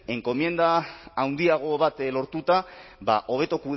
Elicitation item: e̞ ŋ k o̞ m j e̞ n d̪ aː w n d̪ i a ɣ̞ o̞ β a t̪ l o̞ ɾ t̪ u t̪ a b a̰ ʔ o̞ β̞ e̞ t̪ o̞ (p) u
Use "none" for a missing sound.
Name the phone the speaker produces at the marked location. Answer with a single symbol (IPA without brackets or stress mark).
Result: k